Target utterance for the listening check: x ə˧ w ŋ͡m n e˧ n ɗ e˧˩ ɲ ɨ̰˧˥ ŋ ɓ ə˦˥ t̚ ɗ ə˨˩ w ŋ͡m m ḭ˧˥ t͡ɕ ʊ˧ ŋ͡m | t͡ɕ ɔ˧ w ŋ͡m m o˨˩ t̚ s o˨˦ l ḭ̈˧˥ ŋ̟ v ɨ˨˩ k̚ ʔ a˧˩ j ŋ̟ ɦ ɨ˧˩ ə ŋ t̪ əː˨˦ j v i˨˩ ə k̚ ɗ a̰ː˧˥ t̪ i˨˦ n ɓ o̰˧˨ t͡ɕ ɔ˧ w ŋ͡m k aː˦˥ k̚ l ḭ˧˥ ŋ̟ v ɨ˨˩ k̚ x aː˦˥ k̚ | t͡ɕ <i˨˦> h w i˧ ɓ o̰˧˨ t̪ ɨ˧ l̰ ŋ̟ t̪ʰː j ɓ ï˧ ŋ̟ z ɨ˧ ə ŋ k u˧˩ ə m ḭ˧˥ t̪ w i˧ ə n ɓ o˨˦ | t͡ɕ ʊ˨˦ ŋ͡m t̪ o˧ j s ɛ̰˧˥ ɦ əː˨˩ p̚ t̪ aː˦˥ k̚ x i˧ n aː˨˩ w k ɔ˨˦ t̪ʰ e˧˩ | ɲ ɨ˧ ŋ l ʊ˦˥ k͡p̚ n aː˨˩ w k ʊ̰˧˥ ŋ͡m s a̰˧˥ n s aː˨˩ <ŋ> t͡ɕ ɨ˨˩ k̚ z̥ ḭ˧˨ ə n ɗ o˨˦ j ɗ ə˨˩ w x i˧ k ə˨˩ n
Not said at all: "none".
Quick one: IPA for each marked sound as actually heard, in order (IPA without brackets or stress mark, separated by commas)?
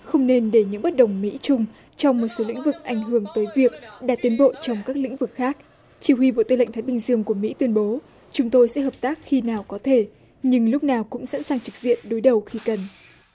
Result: i˧˩, ŋ